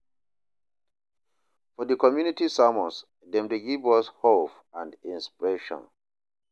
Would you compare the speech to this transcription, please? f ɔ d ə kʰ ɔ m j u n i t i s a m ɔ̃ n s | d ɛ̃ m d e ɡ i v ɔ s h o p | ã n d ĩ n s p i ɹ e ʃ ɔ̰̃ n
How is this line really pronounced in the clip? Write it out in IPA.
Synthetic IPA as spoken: f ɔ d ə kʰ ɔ m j u n i t i s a m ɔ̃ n s | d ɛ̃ m d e ɡ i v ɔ s h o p | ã n d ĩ n s p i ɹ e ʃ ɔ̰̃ n